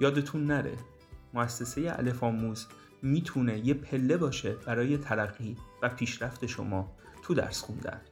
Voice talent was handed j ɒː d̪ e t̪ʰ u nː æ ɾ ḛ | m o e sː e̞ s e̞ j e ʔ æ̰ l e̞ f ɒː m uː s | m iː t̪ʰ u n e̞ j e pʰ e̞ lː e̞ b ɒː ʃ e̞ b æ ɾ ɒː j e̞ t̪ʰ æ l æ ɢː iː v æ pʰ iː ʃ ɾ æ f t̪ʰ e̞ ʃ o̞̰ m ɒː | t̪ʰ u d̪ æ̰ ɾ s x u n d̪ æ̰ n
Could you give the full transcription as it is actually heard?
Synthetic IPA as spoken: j ɒː d̪ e t̪ʰ u nː æ ɾ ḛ | m o æ sː e̞ s e̞ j e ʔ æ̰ l e̞ f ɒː m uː z | m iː t̪ʰ u n e̞ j e pʰ e̞ lː e̞ b ɒː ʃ e̞ b æ ɾ ɒː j e̞ t̪ʰ æ l æ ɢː iː v æ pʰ iː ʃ ɾ æ f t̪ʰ e̞ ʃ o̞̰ m ɒː | t̪ʰ u d̪ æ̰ ɾ s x u n d̪ æ̰ n